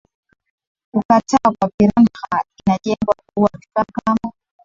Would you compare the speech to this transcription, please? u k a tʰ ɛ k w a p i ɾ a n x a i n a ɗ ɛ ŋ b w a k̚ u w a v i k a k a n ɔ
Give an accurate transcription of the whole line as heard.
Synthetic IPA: u k a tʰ a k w a p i ɾ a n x a i n a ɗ ɛ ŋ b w a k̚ u w a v i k a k a m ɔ